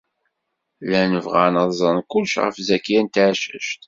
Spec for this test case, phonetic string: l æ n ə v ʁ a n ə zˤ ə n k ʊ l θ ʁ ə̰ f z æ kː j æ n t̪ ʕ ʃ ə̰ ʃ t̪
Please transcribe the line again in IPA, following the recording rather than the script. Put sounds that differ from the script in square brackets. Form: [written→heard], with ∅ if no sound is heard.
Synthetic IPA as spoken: l æ n ə v ʁ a n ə zˤ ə n k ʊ l [θ→ʃ] ʁ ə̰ f z æ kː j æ n t̪ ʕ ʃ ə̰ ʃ t̪